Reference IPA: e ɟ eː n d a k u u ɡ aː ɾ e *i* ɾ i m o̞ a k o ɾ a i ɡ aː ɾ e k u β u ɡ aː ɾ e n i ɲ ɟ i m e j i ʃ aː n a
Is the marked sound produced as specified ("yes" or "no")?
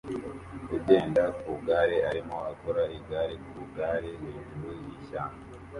no